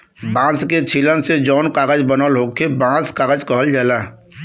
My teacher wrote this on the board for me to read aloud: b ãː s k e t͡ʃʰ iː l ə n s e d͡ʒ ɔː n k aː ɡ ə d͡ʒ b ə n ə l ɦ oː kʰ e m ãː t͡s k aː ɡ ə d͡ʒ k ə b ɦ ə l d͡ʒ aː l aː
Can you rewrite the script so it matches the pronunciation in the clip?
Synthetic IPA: b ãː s k e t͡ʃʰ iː l ə n s e d͡ʒ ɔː n k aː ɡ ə d͡ʒ b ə n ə l ɦ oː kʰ e b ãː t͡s k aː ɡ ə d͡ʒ k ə ɦ ə l d͡ʒ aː l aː